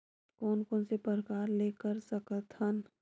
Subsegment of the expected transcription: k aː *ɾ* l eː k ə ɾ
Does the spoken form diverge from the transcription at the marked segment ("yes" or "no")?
no